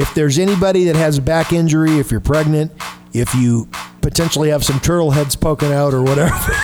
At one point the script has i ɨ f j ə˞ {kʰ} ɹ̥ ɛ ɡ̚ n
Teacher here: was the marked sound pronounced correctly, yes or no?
no